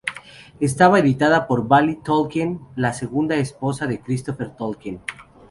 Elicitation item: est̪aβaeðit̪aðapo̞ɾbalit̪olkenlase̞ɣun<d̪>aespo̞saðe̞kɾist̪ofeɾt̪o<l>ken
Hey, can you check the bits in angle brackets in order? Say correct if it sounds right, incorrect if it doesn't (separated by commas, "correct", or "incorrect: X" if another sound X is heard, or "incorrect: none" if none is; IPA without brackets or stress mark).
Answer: correct, correct